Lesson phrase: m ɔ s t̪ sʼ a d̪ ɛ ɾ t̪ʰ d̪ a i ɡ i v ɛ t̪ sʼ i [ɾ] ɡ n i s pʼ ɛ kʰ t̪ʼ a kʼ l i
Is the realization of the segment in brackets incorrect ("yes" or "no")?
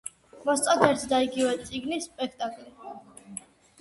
yes